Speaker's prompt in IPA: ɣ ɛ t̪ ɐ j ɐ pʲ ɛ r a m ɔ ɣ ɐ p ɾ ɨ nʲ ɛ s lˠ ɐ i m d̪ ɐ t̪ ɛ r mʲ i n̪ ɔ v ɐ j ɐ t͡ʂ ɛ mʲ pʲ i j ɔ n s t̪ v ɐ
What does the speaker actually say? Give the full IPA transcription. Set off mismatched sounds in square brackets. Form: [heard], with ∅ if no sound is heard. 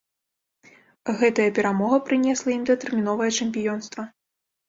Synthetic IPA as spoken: ɣ ɛ t̪ ɐ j ɐ pʲ ɛ [ɾ] a m ɔ ɣ ɐ p ɾ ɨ nʲ ɛ s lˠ ɐ i m d̪ ɐ t̪ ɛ r mʲ i n̪ ɔ v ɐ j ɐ t͡ʂ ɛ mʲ pʲ i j ɔ n s t̪ v ɐ